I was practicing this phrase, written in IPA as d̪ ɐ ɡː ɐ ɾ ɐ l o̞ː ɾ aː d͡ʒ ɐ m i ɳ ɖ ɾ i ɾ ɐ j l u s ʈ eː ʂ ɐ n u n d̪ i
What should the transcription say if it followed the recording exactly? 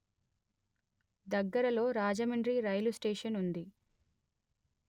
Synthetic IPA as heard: d̪ ɐ ɡː ɐ ɾ ɐ l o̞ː ɾ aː d͡ʒ ɐ m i ɳ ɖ ɾ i ɾ ɐ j l u s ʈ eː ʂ ɐ n u n d̪ i

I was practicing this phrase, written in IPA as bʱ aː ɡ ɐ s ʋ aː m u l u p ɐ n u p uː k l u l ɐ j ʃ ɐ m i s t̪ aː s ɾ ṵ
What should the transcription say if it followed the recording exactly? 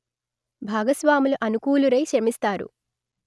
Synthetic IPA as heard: bʱ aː ɡ ɐ s ʋ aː m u l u ʔ ɐ n u k uː l u ɾ ɐ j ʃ ɐ m i s t̪ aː ɾ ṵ

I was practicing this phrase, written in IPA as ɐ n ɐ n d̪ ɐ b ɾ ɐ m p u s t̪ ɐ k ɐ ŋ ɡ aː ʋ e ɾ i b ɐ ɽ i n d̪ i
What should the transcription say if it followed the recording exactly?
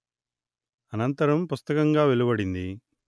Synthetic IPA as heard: ɐ n ɐ n t̪ ɐ ɾ ɐ m p u s t̪ ɐ k ɐ ŋ ɡ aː ʋ e l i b ɐ ɽ i n d̪ i

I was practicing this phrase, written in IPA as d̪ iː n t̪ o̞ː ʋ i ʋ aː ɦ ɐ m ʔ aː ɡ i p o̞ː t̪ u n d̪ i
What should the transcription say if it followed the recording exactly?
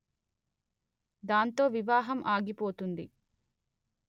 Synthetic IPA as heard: d̪ aː n t̪ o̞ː ʋ i ʋ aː ɦ ɐ m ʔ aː ɡ i p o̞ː t̪ u n d̪ i

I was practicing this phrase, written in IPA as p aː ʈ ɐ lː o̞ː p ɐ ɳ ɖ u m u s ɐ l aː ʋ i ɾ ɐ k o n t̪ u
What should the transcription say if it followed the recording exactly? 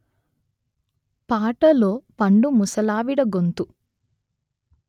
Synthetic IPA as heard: p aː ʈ ɐ l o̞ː p ɐ ɳ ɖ u m u s ɐ l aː ʋ i ɽ ɐ ɡ o n t̪ u

